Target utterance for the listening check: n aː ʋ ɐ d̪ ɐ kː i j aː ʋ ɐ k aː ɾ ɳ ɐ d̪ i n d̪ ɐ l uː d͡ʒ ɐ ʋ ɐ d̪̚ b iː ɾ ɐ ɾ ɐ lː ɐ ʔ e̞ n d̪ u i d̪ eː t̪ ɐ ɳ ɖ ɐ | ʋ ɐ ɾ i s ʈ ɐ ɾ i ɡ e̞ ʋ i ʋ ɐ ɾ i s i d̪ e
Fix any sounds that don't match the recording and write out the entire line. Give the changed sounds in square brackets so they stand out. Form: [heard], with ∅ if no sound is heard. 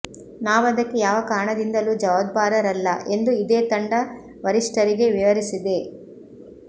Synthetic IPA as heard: n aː ʋ ɐ d̪ ɐ kː [e] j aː ʋ ɐ k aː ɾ ɳ ɐ d̪ i n d̪ ɐ l uː d͡ʒ ɐ ʋ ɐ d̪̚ b [aː] ɾ ɐ ɾ ɐ lː ɐ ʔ e̞ n d̪ u i d̪ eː t̪ ɐ ɳ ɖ ɐ | ʋ ɐ ɾ i [ʂ] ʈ ɐ ɾ i ɡ e̞ ʋ i ʋ ɐ ɾ i s i d̪ e